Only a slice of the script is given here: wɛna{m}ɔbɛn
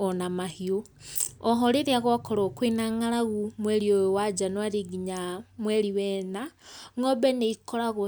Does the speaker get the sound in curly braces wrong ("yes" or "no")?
yes